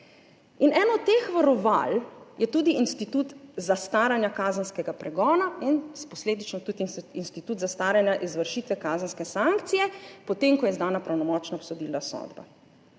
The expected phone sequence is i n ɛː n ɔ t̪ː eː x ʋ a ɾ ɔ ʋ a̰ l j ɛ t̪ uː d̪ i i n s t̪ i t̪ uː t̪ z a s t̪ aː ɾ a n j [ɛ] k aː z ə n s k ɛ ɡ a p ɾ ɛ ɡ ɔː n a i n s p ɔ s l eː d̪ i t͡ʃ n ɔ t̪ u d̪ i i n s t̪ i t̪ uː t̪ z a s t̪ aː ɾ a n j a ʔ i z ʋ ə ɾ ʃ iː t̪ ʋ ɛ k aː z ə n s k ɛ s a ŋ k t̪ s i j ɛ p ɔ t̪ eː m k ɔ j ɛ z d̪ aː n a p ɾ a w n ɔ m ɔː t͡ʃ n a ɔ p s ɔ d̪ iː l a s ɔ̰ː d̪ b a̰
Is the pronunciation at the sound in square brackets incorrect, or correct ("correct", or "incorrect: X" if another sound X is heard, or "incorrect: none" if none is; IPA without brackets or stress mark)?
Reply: incorrect: a